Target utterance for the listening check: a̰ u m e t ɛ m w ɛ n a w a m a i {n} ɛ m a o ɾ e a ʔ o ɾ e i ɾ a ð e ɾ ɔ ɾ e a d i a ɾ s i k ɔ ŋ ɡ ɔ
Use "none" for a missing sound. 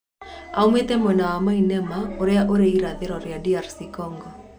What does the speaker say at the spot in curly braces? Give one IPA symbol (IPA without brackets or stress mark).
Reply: n